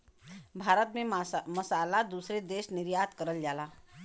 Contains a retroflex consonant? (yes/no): no